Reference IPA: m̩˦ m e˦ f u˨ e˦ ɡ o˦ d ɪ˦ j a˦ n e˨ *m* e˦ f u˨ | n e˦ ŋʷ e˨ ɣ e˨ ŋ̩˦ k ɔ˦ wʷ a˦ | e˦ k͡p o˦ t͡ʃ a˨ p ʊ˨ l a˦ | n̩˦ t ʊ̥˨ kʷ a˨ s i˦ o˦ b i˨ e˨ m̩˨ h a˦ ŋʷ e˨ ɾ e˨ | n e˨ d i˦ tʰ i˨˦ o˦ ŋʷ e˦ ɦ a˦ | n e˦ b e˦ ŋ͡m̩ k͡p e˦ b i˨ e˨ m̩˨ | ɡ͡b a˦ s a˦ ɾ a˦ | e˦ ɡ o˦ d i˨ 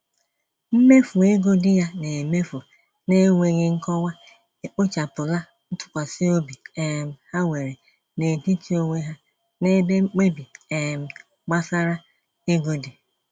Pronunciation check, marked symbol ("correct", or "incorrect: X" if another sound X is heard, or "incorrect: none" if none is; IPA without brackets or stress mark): correct